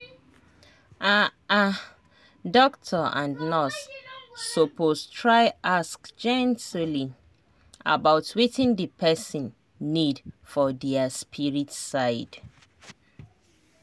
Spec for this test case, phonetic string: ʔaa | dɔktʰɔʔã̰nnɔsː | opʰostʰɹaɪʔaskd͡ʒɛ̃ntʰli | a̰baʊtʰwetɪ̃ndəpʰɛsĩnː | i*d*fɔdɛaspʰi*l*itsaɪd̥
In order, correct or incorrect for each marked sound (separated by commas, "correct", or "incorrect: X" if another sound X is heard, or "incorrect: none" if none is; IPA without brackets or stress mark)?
correct, incorrect: ɹ